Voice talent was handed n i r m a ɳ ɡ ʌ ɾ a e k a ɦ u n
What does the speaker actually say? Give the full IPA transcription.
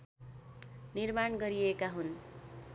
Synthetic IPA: n i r m a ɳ ɡ ʌ ɾ i e k a ɦ u n